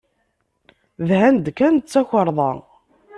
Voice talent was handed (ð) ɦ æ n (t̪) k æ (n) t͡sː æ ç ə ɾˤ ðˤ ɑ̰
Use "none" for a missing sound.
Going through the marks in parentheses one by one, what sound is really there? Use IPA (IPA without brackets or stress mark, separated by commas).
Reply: ð, d̪, n